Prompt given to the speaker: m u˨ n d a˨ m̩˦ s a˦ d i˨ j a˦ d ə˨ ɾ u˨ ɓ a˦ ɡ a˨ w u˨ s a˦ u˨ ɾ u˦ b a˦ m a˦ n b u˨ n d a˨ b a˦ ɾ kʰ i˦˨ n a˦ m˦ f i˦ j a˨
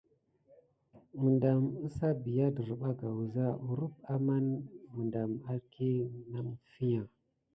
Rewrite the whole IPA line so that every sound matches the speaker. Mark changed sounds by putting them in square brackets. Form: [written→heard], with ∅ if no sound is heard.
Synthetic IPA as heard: m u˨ n d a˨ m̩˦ s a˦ [d→b] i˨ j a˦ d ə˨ ɾ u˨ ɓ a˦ ɡ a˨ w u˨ [s→z] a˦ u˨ ɾ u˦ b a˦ m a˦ n [b→m] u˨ n d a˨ [b→m] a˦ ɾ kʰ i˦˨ n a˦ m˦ f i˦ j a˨